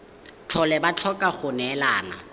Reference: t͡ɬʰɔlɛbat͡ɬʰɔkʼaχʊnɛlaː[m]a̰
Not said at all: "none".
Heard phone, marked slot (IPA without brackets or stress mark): n